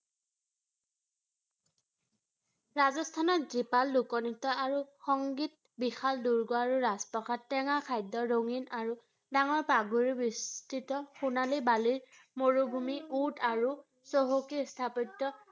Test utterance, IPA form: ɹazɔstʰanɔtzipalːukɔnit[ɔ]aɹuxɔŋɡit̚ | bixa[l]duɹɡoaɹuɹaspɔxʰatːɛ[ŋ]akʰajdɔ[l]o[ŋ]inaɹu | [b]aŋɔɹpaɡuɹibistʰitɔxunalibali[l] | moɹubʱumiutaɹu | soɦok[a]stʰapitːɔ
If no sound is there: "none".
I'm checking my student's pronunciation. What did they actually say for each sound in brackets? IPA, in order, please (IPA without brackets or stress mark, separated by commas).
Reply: ɔ, l, ŋ, ɹ, ŋ, d, ɹ, i